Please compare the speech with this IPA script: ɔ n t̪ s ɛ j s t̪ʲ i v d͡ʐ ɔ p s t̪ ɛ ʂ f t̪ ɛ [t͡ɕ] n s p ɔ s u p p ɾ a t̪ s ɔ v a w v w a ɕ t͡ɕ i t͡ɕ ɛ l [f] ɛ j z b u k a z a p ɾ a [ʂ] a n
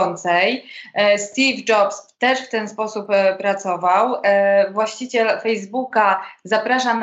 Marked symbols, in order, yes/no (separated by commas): no, yes, yes